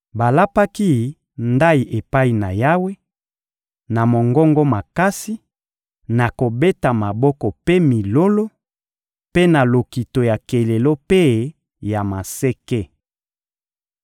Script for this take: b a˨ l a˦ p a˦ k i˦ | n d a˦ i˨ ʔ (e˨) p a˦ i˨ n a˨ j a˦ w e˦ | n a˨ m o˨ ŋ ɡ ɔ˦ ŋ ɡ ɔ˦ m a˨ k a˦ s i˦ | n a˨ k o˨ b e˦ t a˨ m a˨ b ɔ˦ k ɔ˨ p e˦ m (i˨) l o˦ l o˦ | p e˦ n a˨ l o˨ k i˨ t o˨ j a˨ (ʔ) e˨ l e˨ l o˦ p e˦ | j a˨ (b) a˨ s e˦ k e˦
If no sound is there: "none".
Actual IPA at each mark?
e˨, i˨, k, m

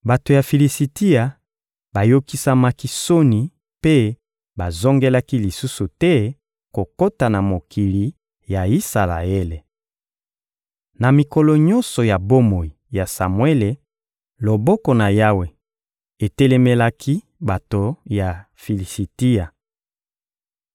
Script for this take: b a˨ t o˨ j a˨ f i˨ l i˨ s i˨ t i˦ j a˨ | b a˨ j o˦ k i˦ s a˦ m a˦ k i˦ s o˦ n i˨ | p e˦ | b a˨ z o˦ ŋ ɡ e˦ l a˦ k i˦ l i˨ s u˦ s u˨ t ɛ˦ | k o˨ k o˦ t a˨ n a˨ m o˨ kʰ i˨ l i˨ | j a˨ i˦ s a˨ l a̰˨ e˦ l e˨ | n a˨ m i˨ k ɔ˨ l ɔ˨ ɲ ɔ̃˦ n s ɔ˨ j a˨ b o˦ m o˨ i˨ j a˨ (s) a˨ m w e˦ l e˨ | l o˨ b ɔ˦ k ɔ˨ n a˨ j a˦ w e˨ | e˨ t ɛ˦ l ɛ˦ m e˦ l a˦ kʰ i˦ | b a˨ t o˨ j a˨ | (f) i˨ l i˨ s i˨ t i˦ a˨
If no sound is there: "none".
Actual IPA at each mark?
s, f

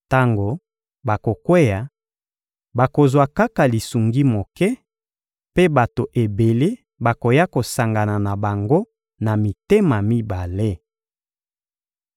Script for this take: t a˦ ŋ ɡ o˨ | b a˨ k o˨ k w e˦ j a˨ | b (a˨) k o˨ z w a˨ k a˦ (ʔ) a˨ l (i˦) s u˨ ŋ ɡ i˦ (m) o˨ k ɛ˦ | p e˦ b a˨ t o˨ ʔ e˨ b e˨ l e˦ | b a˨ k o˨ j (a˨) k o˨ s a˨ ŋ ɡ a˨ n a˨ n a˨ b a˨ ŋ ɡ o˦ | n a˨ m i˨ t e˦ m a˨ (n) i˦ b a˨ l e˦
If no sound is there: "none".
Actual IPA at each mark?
a˨, k, i˨, m, a˦, m

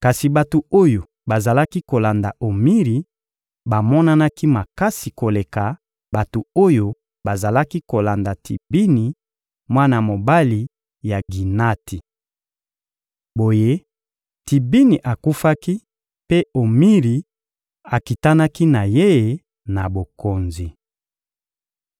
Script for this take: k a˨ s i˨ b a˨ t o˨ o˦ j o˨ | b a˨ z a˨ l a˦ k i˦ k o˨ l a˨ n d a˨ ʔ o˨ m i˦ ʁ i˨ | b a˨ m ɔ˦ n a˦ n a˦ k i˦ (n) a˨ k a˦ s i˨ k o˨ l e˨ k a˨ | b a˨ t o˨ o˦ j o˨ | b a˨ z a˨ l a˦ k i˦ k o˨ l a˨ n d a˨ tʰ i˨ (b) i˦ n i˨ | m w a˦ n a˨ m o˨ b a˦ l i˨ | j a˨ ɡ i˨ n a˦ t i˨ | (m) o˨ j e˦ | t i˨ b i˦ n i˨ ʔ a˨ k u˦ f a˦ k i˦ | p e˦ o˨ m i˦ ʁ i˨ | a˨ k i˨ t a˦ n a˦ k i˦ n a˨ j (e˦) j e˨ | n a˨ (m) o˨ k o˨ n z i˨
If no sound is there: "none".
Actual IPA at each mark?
m, b, b, e˦, b

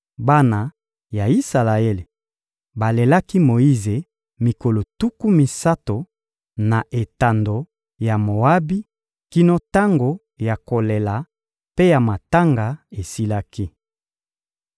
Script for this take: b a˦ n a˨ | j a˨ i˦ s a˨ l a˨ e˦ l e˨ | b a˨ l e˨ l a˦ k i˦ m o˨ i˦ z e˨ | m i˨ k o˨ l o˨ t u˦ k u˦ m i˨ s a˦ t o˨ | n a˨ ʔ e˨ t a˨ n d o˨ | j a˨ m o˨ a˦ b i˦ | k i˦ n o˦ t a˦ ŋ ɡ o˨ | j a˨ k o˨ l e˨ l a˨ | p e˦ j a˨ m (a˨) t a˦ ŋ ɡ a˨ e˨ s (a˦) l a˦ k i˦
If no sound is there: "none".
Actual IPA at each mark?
a˨, i˦

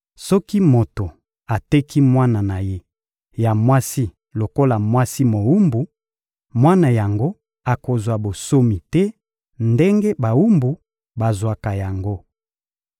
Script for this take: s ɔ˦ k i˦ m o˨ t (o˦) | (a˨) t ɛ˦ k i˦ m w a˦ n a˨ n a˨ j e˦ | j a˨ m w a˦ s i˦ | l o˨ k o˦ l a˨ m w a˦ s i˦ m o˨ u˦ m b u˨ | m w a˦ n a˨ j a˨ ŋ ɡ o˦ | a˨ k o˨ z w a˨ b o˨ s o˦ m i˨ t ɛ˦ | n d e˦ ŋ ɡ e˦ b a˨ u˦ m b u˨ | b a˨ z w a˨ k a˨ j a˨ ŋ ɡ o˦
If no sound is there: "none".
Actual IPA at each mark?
o˨, a˨

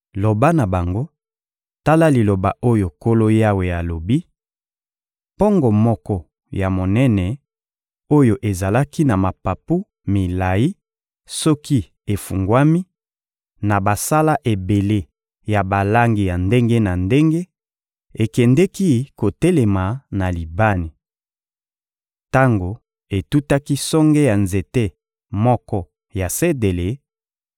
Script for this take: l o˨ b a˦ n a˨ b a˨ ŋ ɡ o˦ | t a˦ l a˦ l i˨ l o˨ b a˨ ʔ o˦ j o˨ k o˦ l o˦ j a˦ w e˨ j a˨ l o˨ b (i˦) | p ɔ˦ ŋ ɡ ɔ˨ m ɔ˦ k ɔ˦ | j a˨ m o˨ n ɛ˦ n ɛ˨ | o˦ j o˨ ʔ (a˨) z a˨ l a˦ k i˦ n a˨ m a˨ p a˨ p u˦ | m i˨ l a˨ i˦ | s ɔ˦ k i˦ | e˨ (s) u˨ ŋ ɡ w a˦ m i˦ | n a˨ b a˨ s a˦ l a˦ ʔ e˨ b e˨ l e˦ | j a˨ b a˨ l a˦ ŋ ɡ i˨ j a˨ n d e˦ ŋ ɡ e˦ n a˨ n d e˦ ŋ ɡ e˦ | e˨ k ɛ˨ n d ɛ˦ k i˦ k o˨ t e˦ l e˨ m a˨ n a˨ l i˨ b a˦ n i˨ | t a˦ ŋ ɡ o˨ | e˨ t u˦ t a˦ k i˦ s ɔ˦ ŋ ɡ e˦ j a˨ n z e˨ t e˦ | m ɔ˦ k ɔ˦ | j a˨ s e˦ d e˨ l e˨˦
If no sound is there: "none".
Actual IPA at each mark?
i˦, e˨, f

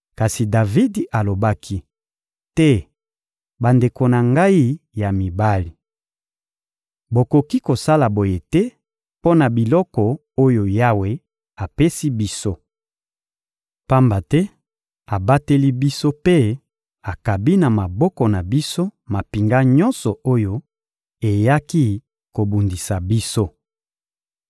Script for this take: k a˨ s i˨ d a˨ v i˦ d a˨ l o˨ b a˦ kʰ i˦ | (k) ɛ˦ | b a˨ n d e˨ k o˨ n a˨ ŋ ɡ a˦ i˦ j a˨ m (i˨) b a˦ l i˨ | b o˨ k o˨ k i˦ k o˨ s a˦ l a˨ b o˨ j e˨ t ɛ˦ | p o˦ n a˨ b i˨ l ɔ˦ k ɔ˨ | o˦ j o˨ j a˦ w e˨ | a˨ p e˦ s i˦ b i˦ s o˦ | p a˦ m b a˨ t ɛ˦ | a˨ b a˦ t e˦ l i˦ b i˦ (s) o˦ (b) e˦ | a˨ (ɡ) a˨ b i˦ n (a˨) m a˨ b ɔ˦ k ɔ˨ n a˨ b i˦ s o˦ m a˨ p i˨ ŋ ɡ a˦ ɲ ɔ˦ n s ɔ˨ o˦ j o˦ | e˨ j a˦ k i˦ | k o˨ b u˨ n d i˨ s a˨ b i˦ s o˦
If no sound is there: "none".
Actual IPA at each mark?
t, i˨, s, p, k, a˨

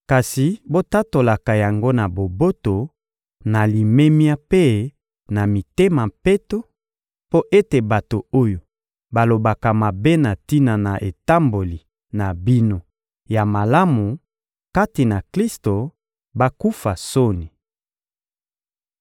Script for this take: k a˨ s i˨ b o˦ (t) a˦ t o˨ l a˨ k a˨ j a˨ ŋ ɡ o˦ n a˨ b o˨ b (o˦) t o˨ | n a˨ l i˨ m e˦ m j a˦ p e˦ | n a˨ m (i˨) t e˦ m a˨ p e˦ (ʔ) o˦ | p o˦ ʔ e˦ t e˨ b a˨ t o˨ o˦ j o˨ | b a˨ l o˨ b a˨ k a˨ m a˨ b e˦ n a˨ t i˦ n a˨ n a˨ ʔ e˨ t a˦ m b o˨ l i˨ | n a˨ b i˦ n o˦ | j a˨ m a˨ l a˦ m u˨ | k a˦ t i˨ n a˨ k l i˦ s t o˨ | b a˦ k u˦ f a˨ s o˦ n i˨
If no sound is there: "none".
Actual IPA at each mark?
t, o˦, i˨, t

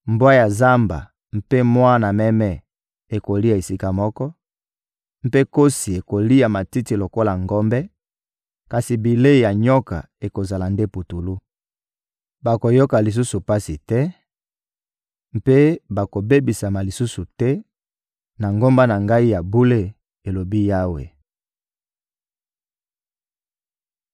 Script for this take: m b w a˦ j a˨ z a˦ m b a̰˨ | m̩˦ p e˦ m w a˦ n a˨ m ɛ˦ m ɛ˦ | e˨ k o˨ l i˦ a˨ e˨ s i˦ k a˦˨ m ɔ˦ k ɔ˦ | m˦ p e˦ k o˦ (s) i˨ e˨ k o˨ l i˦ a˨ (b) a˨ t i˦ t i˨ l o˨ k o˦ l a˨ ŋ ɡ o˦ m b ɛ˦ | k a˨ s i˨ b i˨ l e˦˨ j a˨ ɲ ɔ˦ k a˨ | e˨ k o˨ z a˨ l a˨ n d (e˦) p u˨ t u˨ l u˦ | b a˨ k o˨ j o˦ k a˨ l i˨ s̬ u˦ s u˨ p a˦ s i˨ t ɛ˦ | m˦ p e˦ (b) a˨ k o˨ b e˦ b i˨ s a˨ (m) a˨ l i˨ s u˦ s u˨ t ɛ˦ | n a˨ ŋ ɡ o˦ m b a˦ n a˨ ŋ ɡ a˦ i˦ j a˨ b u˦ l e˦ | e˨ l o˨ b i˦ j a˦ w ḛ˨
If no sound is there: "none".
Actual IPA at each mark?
s, m, e˦, b, m

